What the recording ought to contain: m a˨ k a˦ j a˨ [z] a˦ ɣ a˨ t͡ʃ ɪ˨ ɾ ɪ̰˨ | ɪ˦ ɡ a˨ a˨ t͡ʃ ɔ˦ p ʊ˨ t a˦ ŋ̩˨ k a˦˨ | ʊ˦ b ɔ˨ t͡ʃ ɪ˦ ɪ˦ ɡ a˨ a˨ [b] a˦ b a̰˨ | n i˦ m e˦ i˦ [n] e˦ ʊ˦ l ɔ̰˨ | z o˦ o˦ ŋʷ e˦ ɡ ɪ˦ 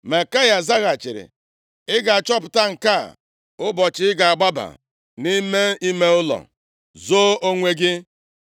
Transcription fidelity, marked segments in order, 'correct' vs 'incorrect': correct, incorrect: ɡ͡b, incorrect: m

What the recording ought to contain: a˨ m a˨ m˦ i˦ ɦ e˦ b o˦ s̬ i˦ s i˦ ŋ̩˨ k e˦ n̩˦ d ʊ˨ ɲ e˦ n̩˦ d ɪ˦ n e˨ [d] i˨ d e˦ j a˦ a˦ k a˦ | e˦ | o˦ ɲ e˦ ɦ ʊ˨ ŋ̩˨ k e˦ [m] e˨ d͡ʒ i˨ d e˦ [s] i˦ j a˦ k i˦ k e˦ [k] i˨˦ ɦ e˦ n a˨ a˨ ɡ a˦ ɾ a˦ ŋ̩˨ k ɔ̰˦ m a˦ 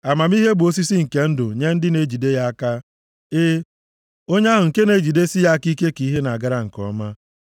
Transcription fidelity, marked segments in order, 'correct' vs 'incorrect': incorrect: d͡ʒ, incorrect: n, correct, correct

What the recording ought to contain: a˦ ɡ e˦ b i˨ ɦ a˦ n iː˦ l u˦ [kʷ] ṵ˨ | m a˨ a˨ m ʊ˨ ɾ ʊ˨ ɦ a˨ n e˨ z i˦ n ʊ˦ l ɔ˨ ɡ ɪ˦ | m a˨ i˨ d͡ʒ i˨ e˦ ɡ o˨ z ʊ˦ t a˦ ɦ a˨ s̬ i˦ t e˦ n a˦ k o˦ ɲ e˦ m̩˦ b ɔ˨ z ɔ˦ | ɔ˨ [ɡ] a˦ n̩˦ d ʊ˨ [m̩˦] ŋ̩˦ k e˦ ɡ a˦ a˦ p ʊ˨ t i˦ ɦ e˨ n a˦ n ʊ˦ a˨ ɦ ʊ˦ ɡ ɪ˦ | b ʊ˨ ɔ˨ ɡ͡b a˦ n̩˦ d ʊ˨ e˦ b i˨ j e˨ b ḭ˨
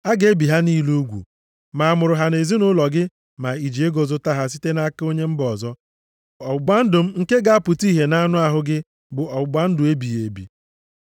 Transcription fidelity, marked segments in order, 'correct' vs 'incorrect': incorrect: ɡʷ, incorrect: ɡ͡b, correct

